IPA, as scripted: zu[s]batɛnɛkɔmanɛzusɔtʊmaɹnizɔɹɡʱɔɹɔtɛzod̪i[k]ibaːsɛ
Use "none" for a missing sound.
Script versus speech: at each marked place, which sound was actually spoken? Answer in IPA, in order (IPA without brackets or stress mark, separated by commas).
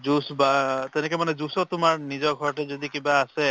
s, k